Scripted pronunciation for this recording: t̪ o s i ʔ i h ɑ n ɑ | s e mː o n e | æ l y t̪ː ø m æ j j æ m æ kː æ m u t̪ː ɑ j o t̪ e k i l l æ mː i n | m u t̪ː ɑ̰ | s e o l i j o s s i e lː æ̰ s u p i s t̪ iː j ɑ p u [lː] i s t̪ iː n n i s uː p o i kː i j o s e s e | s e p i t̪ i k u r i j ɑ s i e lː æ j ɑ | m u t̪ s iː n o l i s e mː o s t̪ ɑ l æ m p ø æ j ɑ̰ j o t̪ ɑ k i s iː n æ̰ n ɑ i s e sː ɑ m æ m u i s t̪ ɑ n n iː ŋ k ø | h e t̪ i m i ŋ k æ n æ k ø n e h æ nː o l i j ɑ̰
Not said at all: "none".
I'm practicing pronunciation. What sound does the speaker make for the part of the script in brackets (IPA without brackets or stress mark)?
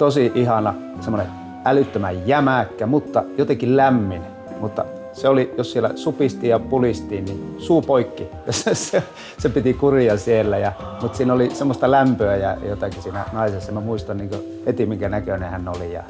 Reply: l